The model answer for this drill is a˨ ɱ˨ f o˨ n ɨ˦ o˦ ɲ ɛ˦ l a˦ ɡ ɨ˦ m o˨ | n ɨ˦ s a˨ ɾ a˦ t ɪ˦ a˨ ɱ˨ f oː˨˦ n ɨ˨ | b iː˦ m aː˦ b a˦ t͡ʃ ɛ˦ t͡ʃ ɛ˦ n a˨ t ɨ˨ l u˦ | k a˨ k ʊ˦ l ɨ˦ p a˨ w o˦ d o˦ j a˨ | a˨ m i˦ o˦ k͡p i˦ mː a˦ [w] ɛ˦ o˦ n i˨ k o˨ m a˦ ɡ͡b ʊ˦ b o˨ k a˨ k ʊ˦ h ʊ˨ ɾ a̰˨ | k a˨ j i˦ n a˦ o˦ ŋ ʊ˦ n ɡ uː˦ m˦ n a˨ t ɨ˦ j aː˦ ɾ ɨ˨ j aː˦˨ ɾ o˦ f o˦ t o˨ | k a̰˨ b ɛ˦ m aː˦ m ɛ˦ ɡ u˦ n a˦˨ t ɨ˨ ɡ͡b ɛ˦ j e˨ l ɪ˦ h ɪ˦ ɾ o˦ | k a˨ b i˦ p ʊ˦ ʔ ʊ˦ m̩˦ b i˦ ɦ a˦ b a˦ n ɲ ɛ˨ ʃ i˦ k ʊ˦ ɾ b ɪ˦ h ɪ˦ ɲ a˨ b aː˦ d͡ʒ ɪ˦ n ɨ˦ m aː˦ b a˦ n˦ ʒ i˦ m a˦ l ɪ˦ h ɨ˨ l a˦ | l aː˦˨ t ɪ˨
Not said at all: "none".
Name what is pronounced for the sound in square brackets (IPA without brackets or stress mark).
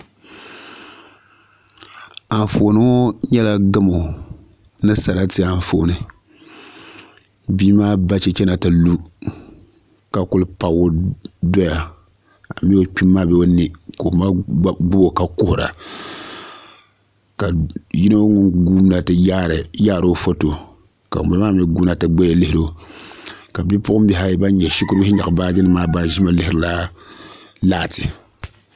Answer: b